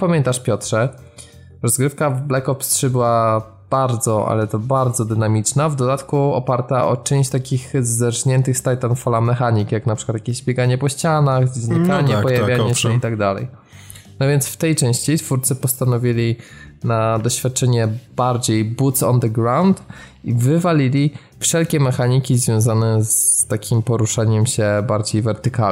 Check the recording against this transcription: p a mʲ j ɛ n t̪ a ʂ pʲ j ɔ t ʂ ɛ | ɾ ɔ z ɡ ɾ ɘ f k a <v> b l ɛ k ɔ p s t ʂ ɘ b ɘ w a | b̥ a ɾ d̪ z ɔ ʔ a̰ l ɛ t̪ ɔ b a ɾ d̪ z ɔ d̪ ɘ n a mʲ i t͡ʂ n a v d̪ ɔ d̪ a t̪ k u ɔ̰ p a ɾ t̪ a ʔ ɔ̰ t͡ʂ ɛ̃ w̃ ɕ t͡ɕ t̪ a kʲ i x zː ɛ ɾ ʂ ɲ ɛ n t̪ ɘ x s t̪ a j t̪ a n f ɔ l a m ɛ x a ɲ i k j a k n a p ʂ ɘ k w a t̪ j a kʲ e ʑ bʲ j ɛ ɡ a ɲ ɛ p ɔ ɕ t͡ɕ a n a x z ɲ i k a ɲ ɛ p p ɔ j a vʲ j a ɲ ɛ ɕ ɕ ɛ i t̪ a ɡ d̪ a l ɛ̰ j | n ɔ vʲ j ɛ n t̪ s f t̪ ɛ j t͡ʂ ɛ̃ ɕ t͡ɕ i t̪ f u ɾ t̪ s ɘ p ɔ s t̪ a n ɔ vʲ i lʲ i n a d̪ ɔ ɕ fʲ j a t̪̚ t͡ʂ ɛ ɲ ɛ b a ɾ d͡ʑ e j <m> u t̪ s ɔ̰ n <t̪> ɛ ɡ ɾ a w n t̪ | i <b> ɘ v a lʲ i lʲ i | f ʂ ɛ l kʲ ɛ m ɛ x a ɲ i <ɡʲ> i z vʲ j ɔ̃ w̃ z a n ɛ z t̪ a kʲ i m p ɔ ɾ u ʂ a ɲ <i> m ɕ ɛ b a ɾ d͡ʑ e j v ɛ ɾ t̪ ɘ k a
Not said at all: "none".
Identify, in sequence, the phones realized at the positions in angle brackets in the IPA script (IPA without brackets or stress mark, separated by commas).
v, b, d̪, v, kʲ, ɛ